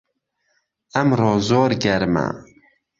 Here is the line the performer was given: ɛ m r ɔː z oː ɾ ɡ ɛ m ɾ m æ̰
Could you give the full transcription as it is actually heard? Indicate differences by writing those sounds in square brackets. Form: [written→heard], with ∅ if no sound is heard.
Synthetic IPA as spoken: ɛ m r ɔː z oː ɾ ɡ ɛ [m→∅] ɾ m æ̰